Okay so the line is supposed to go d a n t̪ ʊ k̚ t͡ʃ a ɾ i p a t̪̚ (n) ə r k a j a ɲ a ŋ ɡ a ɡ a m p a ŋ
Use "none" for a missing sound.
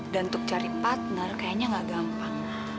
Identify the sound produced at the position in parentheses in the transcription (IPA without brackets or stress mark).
n